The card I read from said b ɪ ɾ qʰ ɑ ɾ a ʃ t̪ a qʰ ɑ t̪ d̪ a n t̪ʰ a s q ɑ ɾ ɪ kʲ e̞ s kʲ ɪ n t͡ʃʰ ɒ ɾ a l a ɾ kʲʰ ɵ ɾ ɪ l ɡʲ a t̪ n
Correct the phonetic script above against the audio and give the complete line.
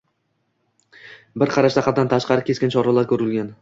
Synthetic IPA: b ɪ ɾ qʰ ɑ ɾ a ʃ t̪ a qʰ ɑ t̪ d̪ a n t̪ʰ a ʃ q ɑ ɾ ɪ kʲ e̞ s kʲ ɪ n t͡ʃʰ ɒ ɾ a l a ɾ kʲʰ ɵ ɾ ɪ l ɡʲ a n